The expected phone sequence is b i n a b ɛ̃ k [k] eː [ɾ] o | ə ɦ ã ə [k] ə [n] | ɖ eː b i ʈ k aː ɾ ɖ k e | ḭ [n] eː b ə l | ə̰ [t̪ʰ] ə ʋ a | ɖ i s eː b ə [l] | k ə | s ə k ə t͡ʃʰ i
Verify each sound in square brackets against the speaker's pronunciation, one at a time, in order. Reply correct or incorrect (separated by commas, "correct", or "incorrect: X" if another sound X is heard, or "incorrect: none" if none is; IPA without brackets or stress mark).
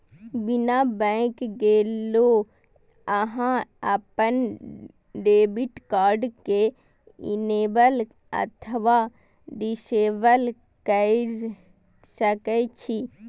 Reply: incorrect: ɡ, incorrect: l, incorrect: p, correct, correct, correct, correct